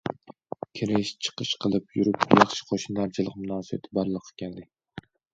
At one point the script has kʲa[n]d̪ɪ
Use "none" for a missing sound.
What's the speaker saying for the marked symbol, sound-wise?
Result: n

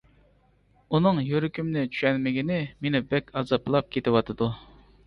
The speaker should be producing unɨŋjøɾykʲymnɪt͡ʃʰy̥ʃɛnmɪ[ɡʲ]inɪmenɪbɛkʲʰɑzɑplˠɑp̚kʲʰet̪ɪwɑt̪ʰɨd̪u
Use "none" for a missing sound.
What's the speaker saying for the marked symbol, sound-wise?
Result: ɡʲ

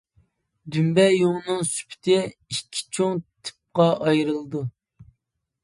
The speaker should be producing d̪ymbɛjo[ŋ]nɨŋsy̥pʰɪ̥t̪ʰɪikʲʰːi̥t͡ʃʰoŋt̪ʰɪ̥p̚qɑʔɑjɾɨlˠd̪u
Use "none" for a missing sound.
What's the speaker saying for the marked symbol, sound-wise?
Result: ŋ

